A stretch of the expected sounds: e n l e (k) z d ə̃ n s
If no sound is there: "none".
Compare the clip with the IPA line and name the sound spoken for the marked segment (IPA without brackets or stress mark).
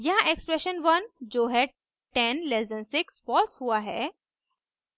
none